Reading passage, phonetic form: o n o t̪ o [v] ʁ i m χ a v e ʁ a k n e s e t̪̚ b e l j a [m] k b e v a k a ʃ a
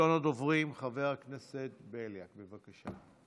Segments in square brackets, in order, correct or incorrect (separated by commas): correct, incorrect